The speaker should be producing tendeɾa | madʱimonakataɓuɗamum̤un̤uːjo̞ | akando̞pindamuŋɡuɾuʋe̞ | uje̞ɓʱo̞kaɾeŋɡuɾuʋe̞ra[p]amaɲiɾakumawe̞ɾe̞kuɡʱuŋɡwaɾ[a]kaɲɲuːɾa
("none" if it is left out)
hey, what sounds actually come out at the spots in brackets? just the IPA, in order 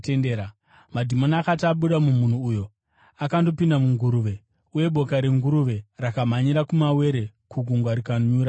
k, i

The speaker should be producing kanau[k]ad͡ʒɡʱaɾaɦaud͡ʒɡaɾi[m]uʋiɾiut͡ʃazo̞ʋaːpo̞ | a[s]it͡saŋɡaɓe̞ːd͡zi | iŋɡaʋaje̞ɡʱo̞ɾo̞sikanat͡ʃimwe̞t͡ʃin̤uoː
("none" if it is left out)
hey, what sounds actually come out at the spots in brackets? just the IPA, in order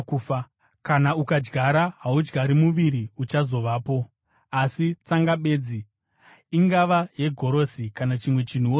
k, m, s

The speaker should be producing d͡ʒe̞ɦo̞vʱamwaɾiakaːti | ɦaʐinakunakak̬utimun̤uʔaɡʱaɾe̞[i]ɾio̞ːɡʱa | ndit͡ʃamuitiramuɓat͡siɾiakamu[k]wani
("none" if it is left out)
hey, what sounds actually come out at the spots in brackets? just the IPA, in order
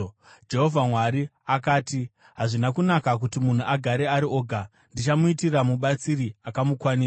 a, k

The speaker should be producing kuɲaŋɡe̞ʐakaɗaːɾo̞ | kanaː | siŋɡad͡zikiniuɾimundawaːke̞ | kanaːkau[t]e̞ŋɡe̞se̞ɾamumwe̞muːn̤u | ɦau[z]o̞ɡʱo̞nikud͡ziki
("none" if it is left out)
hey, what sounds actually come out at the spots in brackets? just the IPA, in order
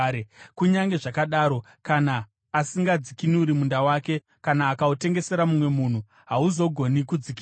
t, z

